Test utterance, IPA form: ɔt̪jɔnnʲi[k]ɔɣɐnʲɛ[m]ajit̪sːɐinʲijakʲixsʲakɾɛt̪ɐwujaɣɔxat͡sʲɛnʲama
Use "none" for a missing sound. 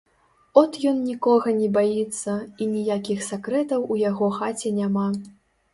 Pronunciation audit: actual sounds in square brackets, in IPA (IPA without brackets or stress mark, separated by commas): k, b